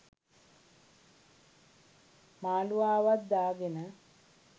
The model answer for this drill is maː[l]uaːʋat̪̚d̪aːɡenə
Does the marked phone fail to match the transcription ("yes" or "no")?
no